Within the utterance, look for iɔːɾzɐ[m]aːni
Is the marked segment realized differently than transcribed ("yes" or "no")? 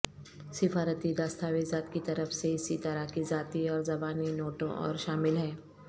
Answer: yes